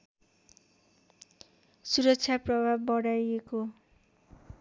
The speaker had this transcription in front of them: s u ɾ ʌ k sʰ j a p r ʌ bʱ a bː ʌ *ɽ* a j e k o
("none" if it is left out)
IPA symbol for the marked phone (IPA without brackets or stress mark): ɽ